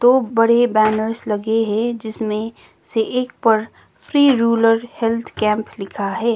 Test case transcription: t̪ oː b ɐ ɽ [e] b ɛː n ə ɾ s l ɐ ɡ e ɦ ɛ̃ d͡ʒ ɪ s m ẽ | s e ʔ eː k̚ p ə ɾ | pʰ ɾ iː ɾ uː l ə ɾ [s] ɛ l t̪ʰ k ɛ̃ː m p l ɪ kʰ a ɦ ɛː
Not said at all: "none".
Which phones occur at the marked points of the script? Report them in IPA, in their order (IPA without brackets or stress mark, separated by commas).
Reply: e, h